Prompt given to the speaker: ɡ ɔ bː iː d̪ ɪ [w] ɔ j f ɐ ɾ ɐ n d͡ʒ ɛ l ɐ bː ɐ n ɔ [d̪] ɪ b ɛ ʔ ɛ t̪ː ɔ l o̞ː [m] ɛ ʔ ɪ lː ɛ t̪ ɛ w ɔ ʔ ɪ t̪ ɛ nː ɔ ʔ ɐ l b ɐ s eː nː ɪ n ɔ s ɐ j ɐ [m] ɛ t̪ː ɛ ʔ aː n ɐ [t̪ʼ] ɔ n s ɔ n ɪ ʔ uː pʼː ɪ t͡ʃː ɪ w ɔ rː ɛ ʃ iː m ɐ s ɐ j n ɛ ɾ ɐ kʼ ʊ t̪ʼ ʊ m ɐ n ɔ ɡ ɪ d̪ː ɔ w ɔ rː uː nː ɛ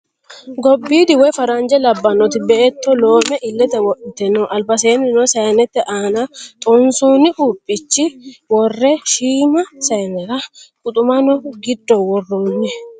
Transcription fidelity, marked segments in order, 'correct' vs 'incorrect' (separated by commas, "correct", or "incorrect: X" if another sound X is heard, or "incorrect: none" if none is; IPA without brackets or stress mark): correct, incorrect: t̪, correct, incorrect: n, correct